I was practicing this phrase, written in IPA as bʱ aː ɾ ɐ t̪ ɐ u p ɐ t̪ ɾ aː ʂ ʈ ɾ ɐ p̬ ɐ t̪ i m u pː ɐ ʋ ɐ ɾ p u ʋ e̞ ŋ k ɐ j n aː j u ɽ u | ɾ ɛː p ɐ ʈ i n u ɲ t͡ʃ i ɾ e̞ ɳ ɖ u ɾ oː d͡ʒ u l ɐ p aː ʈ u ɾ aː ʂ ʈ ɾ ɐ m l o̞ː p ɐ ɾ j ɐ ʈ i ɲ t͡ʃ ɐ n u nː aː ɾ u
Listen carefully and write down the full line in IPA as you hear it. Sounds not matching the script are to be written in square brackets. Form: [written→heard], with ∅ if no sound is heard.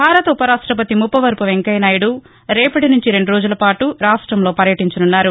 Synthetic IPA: bʱ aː ɾ ɐ t̪ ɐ u p ɐ [t̪→∅] ɾ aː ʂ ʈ ɾ ɐ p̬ ɐ t̪ i m u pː ɐ ʋ ɐ ɾ p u ʋ e̞ ŋ k ɐ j n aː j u ɽ u | ɾ ɛː p ɐ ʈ i n u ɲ t͡ʃ i ɾ e̞ ɳ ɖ u ɾ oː d͡ʒ u l ɐ p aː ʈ u ɾ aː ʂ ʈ ɾ ɐ m l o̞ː p ɐ ɾ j ɐ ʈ i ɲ t͡ʃ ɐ n u nː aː ɾ u

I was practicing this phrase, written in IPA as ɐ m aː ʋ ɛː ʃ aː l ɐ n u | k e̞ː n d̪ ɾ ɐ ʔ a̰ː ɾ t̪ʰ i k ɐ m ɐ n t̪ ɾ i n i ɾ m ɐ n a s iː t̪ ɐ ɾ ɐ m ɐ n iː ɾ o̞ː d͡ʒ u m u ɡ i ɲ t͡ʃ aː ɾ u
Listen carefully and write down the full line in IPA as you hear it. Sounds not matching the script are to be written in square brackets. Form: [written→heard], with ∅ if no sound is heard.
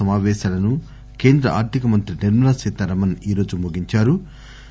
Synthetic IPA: ɐ m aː ʋ ɛː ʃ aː l ɐ n u | k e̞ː n d̪ ɾ ɐ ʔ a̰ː ɾ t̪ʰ i k ɐ m ɐ n t̪ ɾ i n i ɾ m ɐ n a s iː t̪ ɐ ɾ ɐ m ɐ n iː ɾ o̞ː d͡ʒ u m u ɡ i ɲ t͡ʃ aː ɾ u

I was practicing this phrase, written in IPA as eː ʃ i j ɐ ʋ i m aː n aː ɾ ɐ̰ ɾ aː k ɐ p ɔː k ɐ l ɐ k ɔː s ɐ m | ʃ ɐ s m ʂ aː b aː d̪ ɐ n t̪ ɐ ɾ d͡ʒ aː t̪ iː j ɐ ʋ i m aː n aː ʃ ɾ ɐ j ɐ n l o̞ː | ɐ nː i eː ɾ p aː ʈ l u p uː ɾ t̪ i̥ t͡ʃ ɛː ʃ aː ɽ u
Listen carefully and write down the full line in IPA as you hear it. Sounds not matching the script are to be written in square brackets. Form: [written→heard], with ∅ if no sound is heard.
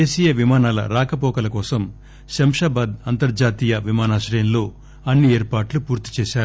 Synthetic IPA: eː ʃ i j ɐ ʋ i m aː n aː [ɾ→l] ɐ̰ ɾ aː k ɐ p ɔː k ɐ l ɐ k ɔː s ɐ m | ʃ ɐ [s→∅] m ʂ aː b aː d̪ ɐ n t̪ ɐ ɾ d͡ʒ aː t̪ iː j ɐ ʋ i m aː n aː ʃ ɾ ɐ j ɐ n l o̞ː | ɐ nː i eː ɾ p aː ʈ l u p uː ɾ t̪ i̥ t͡ʃ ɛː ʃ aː [ɽ→ɾ] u

